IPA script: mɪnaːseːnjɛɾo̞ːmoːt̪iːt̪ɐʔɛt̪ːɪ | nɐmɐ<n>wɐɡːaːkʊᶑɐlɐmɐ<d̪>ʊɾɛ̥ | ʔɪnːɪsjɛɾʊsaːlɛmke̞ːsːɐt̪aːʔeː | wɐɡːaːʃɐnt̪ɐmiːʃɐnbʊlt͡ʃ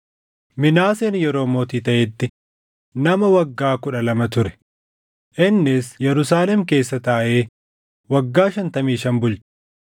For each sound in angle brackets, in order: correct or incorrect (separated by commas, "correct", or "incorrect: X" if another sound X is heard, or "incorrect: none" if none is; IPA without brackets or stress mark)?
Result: incorrect: none, incorrect: t̪